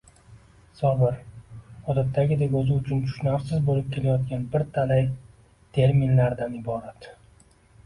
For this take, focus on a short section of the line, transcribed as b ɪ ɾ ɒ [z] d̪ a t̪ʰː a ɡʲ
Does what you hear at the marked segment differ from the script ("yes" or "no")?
yes